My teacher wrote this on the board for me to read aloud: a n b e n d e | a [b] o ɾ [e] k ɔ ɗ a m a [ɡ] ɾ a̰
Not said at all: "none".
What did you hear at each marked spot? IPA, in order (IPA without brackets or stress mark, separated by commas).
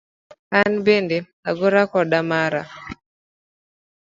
ɡ, a, none